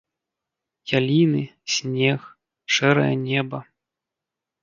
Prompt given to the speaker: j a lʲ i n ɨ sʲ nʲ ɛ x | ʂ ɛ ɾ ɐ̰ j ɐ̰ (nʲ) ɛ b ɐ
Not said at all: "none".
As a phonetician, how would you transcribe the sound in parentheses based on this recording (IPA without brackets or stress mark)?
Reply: nʲ